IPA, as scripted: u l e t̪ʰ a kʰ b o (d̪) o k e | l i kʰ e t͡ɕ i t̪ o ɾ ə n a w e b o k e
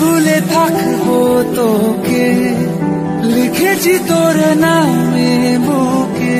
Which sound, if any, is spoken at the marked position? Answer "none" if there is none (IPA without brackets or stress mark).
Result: t̪